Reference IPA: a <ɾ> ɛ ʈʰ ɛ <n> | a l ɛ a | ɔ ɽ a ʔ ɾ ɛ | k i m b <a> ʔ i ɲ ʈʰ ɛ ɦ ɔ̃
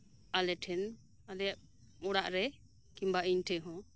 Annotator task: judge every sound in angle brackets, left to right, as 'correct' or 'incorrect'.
incorrect, correct, correct

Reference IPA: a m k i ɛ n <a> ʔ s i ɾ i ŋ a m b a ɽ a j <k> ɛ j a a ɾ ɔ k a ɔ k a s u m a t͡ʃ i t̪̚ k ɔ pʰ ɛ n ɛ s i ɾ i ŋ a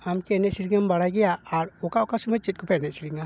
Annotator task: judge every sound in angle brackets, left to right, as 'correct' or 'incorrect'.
incorrect, incorrect

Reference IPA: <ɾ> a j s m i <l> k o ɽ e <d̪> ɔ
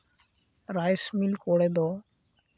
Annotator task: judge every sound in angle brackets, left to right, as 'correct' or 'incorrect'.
correct, correct, correct

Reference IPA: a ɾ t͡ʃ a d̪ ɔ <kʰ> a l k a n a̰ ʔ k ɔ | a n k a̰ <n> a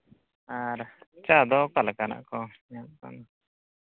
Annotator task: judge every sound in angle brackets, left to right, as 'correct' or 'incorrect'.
incorrect, correct

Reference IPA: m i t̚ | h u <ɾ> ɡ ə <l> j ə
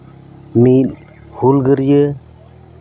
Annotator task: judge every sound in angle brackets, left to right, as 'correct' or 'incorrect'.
incorrect, incorrect

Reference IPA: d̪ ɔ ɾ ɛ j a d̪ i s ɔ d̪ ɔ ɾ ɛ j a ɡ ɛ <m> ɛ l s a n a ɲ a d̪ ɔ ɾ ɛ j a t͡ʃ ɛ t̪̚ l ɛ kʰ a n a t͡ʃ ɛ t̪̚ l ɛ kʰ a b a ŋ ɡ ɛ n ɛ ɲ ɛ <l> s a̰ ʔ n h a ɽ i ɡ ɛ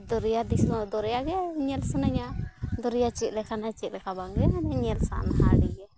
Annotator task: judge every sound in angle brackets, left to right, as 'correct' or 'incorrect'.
incorrect, correct

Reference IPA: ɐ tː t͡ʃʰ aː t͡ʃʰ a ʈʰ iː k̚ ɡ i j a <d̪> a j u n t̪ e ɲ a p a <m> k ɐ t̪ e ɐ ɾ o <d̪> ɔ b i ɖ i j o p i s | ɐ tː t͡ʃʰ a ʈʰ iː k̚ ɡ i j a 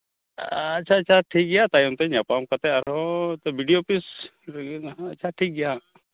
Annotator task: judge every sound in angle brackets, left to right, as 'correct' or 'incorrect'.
incorrect, correct, incorrect

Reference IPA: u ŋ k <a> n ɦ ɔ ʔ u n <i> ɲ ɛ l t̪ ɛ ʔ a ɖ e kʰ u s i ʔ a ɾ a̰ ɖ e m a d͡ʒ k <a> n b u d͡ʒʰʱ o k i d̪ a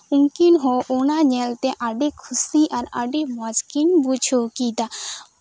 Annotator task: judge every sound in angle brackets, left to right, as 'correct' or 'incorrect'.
incorrect, incorrect, incorrect

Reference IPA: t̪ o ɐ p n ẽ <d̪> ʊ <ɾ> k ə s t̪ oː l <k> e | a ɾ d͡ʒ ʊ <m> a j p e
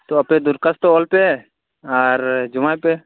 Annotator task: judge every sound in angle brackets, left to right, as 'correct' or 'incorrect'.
correct, correct, incorrect, correct

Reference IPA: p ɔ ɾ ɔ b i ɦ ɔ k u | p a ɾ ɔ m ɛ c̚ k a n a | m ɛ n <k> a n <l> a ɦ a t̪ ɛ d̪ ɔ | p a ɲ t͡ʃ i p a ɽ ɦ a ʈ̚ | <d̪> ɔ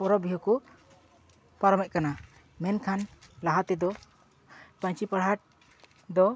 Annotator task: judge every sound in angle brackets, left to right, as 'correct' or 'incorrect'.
incorrect, correct, correct

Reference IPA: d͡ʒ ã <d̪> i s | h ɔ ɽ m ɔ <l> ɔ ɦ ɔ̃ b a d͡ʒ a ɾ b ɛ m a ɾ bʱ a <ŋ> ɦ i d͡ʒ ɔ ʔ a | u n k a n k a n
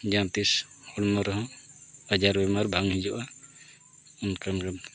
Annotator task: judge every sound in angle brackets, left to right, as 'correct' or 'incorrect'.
incorrect, incorrect, correct

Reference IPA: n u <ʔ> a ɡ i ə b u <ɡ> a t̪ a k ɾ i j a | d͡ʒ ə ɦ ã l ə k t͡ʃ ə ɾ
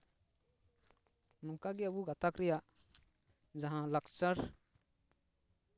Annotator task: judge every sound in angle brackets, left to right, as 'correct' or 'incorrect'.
incorrect, correct

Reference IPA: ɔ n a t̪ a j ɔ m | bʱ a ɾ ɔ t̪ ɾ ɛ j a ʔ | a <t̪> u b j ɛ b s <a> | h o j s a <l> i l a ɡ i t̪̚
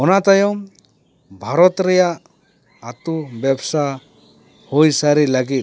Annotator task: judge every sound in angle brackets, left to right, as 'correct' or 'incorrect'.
correct, correct, incorrect

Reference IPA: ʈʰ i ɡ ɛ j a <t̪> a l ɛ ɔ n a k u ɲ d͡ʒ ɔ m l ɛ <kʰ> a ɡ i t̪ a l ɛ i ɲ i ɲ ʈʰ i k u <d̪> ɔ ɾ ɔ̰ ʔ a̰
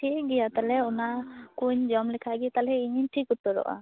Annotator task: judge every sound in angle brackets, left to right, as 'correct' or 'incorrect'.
correct, correct, incorrect

